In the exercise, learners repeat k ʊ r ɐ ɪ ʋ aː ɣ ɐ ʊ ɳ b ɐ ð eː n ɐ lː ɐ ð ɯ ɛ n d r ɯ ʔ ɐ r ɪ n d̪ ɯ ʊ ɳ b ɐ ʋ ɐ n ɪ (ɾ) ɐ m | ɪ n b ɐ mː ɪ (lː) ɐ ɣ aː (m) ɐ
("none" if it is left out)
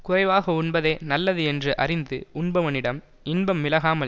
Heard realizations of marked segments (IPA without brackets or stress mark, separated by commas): ɽ, l, m